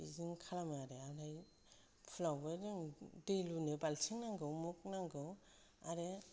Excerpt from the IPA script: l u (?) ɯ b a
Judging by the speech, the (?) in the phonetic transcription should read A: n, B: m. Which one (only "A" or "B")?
A